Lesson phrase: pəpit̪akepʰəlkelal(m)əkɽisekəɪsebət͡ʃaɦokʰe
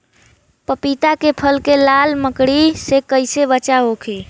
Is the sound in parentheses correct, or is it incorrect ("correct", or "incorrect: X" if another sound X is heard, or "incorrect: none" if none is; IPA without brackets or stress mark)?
correct